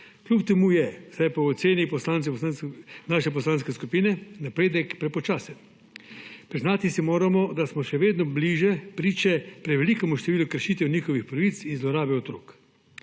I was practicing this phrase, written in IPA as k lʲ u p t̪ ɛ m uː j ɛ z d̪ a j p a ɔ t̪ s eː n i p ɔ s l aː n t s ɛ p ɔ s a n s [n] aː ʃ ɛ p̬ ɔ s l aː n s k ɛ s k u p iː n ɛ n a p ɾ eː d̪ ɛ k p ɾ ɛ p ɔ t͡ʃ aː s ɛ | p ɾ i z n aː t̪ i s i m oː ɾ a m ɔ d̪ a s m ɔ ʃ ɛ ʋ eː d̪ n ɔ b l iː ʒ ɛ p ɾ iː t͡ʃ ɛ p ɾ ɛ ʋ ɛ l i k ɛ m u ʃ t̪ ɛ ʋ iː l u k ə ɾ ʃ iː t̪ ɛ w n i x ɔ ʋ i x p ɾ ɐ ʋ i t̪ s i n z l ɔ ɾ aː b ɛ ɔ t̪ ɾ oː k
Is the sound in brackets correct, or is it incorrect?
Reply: correct